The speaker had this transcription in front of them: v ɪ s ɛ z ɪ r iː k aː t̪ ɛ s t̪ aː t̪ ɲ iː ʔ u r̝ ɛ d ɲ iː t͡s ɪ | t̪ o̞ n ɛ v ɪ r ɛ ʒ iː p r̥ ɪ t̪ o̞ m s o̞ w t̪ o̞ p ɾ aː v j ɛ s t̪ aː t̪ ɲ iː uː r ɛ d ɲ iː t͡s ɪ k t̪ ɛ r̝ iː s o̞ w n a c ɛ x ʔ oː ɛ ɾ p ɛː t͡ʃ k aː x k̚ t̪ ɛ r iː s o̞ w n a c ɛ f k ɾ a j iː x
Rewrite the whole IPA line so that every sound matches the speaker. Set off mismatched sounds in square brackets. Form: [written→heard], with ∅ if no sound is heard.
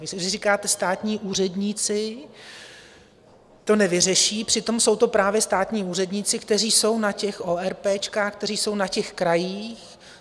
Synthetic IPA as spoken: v ɪ s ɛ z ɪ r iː k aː t̪ ɛ s t̪ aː t̪ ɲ iː ʔ [u→uː] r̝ ɛ d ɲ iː t͡s ɪ | t̪ o̞ n ɛ v ɪ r ɛ [ʒ→ʃ] iː p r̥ ɪ t̪ o̞ m s o̞ w t̪ o̞ p ɾ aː v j ɛ s t̪ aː t̪ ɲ iː uː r ɛ d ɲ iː t͡s ɪ k t̪ ɛ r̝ iː s o̞ w n a c ɛ x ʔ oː ɛ ɾ p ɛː t͡ʃ k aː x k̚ t̪ ɛ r iː s o̞ w n a c ɛ [f→x] k ɾ a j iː x

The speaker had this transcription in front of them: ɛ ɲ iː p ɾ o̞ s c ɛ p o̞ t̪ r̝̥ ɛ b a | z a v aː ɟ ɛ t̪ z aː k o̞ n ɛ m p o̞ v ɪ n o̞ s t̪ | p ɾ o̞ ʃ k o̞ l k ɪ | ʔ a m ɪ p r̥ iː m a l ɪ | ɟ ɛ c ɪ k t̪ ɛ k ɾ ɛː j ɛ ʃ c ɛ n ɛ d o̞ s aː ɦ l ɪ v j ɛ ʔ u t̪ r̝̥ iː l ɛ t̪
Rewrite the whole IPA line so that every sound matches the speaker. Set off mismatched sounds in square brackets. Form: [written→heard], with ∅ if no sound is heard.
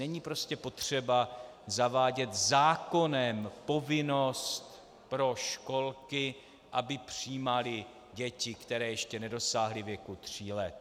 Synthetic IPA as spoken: ɛ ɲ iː p ɾ o̞ s c ɛ p o̞ t̪ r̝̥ ɛ b a | z a v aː ɟ ɛ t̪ z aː k o̞ n ɛ m p o̞ v ɪ n o̞ s t̪ | p ɾ o̞ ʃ k o̞ l k ɪ | ʔ a [m→b] ɪ p r̥ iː m a l ɪ | ɟ ɛ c ɪ k t̪ ɛ [k→∅] ɾ ɛː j ɛ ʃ c ɛ n ɛ d o̞ s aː ɦ l ɪ v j ɛ [ʔ→k] u t̪ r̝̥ iː l ɛ t̪

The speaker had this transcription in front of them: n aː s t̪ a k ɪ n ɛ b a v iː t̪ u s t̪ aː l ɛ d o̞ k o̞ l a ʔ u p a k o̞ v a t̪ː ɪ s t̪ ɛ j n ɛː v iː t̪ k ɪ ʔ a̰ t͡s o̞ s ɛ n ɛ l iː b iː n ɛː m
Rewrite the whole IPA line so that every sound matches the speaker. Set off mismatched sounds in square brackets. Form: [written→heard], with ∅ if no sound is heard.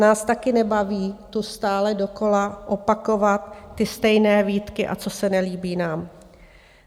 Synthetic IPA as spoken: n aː s t̪ a k ɪ n ɛ b a v iː t̪ u s t̪ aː l ɛ d o̞ k o̞ l a ʔ [u→o] p a k o̞ v a t̪ː ɪ s t̪ ɛ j n ɛː v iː t̪ k ɪ ʔ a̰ t͡s o̞ s ɛ n ɛ l iː b iː n [ɛː→aː] m

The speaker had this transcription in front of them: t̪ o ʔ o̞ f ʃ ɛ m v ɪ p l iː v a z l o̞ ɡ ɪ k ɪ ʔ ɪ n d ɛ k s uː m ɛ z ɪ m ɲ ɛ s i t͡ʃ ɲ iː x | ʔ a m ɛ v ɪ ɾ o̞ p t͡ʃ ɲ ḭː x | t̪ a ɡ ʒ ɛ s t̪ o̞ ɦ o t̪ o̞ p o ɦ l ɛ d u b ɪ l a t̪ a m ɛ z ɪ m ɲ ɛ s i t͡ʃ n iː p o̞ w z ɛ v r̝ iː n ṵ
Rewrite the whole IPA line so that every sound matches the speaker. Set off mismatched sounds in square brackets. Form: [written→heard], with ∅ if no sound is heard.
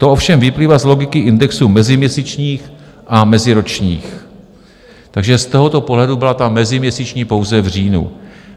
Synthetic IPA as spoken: t̪ o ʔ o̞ f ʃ ɛ m v ɪ p l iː v a z l o̞ ɡ ɪ k ɪ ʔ ɪ n d ɛ k s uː m ɛ z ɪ m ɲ ɛ s i t͡ʃ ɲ iː x | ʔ a m ɛ [v→z] ɪ ɾ o̞ [p→∅] t͡ʃ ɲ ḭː x | t̪ a ɡ ʒ ɛ s t̪ o̞ ɦ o t̪ o̞ p o ɦ l ɛ d u b ɪ l a t̪ a m ɛ z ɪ m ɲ ɛ s i t͡ʃ [n→ɲ] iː p o̞ w z ɛ v r̝ iː n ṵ

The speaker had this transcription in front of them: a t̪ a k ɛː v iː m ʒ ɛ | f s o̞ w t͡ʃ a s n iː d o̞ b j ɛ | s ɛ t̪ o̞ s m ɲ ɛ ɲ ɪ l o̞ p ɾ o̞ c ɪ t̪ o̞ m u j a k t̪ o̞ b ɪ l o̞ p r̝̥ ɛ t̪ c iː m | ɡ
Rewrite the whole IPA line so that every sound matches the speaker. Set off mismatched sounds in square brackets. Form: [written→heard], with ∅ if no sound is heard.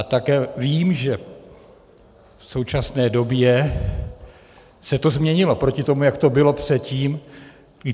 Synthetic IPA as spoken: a t̪ a k ɛː v iː m ʒ ɛ | f s o̞ w t͡ʃ a s n [iː→ɛː] d o̞ b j ɛ | s ɛ t̪ o̞ [s→z] m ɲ ɛ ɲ ɪ l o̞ p ɾ o̞ c ɪ t̪ o̞ m u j a k t̪ o̞ b ɪ l o̞ p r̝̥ ɛ t̪ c iː m | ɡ

